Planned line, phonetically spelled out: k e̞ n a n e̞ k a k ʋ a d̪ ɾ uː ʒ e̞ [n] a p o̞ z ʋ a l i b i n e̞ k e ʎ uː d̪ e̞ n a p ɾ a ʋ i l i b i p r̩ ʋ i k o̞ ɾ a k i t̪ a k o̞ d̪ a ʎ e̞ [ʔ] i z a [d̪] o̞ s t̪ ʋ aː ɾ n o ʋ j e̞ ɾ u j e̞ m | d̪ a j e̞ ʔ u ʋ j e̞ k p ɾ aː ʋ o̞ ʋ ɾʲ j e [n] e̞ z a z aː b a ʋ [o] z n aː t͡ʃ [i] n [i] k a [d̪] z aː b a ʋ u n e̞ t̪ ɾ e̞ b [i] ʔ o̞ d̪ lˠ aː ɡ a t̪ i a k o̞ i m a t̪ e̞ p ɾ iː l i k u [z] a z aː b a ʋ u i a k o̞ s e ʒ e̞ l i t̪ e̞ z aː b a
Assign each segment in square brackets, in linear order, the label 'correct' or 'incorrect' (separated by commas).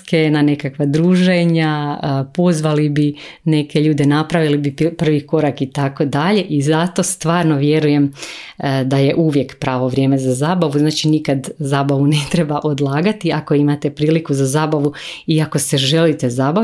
incorrect, correct, incorrect, incorrect, incorrect, correct, correct, correct, incorrect, correct